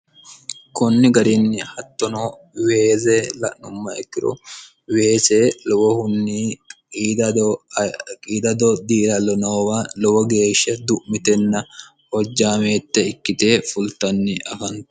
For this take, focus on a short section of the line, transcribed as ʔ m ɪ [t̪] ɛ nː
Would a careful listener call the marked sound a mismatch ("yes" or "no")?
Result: no